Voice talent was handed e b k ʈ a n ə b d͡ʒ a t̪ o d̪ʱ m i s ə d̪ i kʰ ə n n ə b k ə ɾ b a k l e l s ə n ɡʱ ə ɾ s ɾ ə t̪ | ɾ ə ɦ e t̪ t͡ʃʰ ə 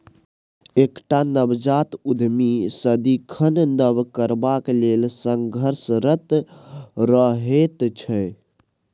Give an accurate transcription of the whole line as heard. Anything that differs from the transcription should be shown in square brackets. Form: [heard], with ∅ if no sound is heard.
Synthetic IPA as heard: e [∅] k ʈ a n ə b d͡ʒ a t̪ [u] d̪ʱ m i s ə d̪ i kʰ ə n n ə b k ə ɾ b a k l e l s ə [ŋ] ɡʱ ə ɾ s ɾ ə t̪ | ɾ ə ɦ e t̪ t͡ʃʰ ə

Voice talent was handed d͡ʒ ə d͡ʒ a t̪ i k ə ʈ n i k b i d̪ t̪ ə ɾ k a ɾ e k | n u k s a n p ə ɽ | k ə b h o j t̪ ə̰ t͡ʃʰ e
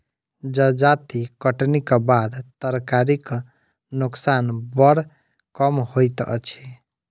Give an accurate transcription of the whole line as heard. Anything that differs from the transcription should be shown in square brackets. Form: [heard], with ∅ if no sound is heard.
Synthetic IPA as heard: d͡ʒ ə d͡ʒ a t̪ i k ə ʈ n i k b [a] d̪ t̪ ə ɾ k a ɾ [i] k | n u k s a n [b] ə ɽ | k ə [m] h o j t̪ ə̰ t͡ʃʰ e

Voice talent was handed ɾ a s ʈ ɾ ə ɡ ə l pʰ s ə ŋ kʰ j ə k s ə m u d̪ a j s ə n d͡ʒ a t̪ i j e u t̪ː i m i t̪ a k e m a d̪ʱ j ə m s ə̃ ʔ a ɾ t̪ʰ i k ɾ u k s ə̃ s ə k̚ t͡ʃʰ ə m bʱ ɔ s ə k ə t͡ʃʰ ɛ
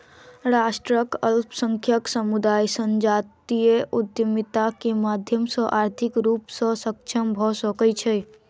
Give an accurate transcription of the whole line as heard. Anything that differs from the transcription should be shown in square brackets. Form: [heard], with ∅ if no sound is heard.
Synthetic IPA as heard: ɾ a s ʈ ɾ ə [k] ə l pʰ s ə ŋ kʰ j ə k s ə m u d̪ a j s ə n d͡ʒ a t̪ i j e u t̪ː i m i t̪ a k e m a d̪ʱ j ə m s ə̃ ʔ a ɾ t̪ʰ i k ɾ u [p] s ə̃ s ə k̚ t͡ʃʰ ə m bʱ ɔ s ə k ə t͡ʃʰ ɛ

